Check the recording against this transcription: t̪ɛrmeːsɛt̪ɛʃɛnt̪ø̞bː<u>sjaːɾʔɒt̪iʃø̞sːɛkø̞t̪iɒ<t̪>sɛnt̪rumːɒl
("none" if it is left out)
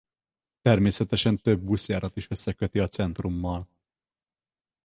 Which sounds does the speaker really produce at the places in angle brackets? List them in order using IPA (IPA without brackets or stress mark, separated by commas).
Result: u, t̪